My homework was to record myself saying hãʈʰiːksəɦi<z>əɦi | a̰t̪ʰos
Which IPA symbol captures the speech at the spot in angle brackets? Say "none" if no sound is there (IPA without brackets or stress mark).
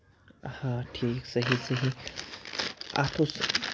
s